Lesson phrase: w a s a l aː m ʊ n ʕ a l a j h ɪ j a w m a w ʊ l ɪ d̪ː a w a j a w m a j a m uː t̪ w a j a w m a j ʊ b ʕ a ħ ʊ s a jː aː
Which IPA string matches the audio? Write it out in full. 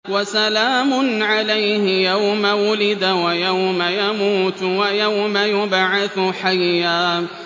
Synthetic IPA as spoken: w a s a l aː m ʊ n ʕ a l a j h ɪ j a w m a w ʊ l ɪ d̪ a w a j a w m a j a m uː t̪ w a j a w m a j ʊ b ʕ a θ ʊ ħ a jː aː

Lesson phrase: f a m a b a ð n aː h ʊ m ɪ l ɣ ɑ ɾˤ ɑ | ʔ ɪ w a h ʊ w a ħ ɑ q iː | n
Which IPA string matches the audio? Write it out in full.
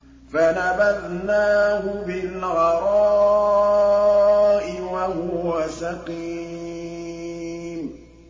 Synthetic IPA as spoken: f a n a b a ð n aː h ʊ b ɪ l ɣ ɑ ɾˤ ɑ | ʔ ɪ w a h ʊ w a s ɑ q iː | m

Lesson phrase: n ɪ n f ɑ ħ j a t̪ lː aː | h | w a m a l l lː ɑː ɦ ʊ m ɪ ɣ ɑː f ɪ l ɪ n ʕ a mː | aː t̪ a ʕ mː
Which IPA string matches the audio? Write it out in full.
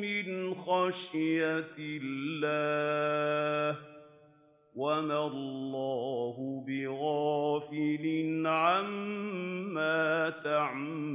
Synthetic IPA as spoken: m ɪ n x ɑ ʃ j a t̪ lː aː | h | w a m a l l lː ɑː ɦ ʊ b ɪ ɣ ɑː f ɪ l ɪ n ʕ a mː | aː t̪ a ʕ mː

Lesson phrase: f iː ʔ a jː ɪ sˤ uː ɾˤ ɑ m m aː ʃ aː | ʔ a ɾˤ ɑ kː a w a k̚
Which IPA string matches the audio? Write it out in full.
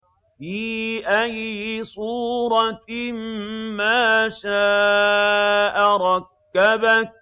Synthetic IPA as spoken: f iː ʔ a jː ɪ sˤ uː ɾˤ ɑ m m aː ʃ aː | ʔ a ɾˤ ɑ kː a b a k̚

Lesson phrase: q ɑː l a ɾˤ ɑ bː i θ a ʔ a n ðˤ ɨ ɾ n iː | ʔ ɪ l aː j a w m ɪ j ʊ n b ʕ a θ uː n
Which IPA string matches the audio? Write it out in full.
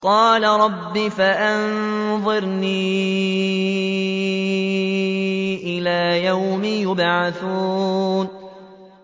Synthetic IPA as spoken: q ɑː l a ɾˤ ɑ bː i f a ʔ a n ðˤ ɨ ɾ n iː | ʔ ɪ l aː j a w m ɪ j ʊ b ʕ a θ uː n

